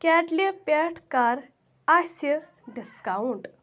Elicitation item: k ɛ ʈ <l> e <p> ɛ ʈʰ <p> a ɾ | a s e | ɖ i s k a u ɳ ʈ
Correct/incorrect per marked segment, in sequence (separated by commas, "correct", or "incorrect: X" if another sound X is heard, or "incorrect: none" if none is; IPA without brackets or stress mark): correct, correct, incorrect: k